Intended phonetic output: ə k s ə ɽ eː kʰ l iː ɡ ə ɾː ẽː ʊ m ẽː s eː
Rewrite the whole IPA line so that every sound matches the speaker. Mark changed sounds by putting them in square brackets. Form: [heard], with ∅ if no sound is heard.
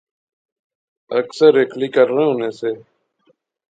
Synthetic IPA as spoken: ə k s ə [ɾ] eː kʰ l iː [k] ə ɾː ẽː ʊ [n] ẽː s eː